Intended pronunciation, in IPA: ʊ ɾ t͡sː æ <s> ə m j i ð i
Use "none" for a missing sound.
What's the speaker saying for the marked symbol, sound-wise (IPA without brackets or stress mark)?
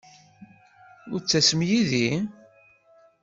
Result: s